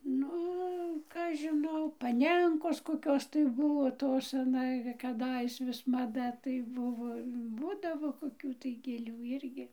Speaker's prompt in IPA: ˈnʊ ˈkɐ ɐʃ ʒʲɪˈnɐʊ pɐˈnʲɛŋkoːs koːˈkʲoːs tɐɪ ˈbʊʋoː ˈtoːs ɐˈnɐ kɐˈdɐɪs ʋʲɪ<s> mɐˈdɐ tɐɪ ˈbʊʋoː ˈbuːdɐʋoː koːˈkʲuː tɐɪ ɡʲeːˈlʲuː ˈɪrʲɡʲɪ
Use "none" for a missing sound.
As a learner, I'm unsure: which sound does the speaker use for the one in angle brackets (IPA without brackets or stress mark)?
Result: s